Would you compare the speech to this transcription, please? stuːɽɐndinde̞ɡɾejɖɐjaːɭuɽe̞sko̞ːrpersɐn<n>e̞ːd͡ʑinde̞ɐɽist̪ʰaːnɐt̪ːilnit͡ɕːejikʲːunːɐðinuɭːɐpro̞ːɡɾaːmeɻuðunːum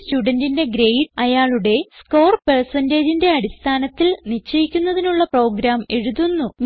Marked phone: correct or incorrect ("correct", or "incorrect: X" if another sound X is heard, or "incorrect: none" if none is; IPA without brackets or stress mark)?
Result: incorrect: d